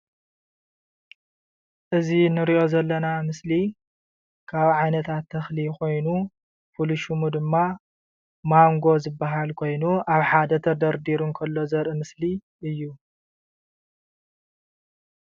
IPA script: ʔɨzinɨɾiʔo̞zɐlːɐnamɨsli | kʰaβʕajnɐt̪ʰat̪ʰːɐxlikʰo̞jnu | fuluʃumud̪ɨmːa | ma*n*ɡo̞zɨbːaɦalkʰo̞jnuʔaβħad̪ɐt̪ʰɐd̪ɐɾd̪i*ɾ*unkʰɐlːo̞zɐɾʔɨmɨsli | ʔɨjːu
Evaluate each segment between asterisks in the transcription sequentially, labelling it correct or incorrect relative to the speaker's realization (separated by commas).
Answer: incorrect, correct